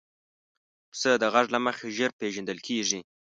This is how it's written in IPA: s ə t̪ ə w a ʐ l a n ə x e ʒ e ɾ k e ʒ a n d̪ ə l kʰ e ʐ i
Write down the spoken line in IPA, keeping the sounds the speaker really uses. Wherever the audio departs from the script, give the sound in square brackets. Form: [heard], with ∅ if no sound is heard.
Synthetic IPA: s ə [d̪] ə [ɣ] a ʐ l a [m] ə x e ʒ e ɾ [p] e ʒ a n d̪ ə l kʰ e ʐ i